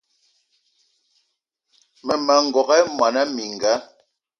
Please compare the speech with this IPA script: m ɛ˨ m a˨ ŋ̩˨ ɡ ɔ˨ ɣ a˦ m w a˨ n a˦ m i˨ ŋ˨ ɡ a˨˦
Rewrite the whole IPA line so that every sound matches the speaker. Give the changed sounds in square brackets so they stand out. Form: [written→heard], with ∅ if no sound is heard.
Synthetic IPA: m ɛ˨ m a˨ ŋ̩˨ ɡ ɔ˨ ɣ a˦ m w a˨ n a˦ m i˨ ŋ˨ ɡ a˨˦